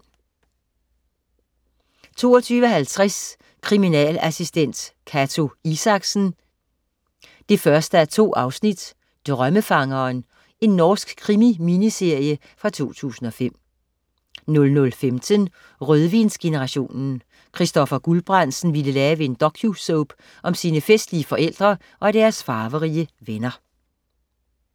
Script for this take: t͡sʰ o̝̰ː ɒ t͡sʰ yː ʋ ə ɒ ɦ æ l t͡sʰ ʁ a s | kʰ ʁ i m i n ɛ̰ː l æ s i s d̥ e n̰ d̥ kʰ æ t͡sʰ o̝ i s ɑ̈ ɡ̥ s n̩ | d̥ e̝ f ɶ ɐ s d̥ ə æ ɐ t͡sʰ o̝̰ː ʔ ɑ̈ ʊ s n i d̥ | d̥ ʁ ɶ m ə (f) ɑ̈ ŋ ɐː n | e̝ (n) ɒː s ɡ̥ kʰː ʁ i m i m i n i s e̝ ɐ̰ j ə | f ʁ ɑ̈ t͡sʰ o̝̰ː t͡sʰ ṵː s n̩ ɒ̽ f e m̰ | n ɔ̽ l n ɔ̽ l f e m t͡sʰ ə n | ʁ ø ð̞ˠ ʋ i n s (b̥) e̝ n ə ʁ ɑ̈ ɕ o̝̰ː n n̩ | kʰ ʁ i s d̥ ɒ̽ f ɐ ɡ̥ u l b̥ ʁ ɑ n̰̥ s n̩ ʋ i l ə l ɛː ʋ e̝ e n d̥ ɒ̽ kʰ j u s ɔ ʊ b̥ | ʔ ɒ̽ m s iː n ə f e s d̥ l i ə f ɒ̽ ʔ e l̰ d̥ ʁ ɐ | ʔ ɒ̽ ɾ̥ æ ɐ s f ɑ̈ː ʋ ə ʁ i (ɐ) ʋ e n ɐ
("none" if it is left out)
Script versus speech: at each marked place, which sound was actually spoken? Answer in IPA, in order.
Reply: f, nː, ɡ̥, ə

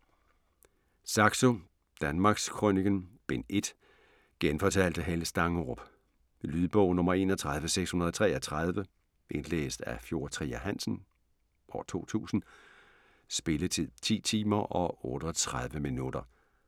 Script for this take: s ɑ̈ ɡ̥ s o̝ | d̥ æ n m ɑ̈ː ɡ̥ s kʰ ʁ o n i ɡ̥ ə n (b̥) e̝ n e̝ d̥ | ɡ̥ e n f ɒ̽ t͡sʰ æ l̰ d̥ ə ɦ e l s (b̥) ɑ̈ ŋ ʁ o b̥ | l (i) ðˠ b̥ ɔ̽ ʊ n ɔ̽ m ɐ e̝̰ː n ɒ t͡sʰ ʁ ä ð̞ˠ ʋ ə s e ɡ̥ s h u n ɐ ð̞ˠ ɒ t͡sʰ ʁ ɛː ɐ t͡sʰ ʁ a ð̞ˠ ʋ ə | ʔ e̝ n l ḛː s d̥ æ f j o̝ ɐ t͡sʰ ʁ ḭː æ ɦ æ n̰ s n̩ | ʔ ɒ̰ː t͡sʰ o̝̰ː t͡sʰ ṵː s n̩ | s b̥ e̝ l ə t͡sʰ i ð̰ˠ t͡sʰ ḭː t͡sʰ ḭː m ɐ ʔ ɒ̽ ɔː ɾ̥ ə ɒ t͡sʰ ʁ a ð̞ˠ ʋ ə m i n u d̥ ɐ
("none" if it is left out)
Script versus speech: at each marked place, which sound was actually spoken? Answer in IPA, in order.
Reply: b̥, d̥, y

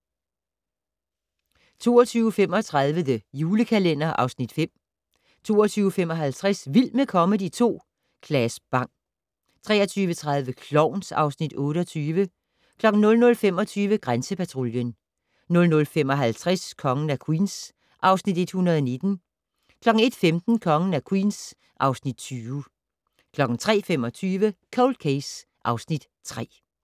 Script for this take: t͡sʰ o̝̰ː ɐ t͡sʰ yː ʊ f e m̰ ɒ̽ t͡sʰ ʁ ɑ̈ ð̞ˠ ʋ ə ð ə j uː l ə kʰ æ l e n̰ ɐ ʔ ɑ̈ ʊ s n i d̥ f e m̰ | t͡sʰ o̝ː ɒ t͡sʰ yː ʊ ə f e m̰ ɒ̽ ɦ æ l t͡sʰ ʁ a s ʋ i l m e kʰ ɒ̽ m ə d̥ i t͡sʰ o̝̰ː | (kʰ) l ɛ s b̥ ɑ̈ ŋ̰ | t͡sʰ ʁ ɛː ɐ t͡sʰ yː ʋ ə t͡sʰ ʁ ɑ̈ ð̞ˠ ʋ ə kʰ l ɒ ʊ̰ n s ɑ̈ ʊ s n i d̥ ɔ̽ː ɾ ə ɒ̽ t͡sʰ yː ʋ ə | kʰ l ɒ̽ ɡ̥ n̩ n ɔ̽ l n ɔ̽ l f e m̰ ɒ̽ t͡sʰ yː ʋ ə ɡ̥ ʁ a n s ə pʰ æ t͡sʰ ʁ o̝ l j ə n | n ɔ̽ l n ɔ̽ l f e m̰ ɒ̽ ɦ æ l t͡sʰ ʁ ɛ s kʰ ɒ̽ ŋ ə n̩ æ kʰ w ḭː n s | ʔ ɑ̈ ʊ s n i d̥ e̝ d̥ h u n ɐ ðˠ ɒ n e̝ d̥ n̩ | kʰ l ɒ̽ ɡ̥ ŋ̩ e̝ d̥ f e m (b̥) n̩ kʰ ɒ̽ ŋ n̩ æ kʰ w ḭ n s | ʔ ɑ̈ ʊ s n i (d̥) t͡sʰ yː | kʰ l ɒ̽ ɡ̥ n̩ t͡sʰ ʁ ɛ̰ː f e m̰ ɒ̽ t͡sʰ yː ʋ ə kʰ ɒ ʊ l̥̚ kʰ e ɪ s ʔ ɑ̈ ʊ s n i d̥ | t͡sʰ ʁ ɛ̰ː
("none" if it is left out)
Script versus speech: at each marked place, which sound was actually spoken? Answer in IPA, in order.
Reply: kʰ, d̥, d̥

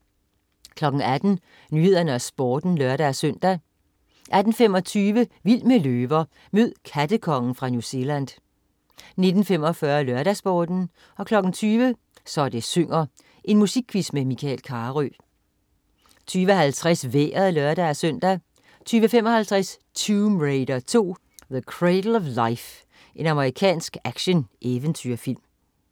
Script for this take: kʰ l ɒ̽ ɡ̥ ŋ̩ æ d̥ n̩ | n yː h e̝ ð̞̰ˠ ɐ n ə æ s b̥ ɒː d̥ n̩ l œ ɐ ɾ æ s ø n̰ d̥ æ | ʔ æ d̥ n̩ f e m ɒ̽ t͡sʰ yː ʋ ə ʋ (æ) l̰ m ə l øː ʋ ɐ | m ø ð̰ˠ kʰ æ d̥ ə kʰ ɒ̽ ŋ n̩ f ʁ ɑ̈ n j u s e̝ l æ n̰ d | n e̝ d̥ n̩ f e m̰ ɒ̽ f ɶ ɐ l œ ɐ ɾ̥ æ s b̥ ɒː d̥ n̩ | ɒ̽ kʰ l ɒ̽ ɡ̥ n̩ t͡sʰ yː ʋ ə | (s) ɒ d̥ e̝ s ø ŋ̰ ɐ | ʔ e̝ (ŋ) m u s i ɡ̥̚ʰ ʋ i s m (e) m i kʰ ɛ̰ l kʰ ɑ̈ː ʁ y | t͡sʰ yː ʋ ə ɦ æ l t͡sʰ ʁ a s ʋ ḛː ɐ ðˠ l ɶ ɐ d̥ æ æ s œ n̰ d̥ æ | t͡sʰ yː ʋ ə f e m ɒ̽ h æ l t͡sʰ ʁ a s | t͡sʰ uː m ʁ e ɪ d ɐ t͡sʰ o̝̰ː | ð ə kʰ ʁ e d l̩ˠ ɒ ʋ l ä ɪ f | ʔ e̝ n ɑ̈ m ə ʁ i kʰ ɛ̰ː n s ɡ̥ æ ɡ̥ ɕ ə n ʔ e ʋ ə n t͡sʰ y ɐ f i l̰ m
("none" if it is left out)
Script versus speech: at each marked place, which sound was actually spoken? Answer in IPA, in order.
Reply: i, s, n, e

